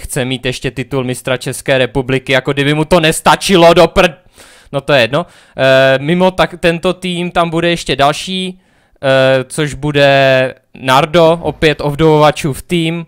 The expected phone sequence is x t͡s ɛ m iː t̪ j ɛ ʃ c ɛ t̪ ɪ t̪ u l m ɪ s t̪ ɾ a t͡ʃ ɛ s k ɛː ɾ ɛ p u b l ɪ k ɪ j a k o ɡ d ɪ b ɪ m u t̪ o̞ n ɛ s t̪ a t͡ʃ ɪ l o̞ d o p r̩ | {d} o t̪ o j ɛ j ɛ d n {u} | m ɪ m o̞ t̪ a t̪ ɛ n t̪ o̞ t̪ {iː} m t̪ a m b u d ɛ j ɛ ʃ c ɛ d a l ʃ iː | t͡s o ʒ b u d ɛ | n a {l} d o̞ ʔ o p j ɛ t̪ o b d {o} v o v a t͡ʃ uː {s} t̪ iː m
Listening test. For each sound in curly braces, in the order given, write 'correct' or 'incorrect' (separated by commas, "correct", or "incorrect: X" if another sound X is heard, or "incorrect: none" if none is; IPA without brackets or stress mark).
incorrect: n, incorrect: o, correct, incorrect: ɾ, correct, incorrect: f